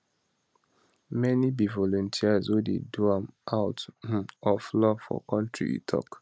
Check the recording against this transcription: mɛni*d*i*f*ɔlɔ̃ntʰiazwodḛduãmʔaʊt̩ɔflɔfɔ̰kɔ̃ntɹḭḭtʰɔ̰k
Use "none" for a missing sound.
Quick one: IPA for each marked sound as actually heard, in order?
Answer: b, v

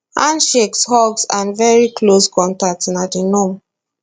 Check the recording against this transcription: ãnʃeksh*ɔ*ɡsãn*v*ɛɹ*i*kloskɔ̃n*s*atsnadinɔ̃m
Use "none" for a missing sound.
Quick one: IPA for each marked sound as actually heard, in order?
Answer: ɔ, v, i, t

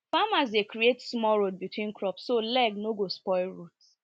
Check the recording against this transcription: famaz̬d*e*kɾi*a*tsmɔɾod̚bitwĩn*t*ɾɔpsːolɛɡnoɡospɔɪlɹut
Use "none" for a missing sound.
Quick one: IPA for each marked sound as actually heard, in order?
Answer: e, e, k

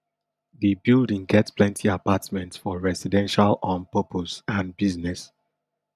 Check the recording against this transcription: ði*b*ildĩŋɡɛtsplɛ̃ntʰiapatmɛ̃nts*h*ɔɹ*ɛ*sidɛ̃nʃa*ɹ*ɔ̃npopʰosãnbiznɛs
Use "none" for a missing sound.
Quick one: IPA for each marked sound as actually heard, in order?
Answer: b, f, ɛ, l

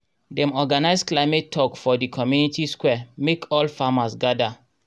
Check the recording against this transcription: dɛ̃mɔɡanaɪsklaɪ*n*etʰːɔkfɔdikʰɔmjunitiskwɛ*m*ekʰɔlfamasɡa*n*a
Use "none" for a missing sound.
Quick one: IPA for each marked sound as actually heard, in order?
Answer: m, m, d

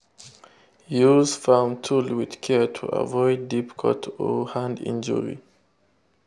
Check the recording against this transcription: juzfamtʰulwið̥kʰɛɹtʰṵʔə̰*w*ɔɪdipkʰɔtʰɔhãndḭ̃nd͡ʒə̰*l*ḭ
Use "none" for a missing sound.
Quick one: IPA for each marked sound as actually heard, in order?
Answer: v, ɹ

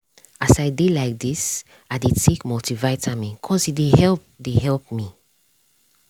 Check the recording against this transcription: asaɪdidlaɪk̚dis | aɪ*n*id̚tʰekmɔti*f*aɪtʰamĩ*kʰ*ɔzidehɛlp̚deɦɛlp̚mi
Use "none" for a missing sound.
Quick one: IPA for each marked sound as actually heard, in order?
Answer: d, v, kʰ

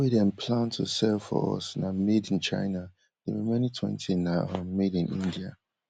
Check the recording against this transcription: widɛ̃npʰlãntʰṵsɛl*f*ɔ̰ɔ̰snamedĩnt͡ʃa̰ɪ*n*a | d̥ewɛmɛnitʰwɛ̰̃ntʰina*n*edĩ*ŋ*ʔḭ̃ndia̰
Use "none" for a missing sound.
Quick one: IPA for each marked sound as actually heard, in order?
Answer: f, n, m, n

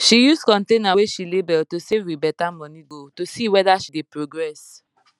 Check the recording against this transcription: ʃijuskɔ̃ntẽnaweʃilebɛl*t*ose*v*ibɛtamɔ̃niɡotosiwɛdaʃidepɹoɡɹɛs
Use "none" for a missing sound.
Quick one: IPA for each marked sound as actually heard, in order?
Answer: t, v

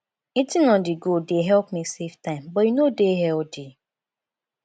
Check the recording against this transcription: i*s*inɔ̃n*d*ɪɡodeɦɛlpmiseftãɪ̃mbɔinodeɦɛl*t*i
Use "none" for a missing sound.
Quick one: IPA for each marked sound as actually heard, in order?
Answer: t, d, d

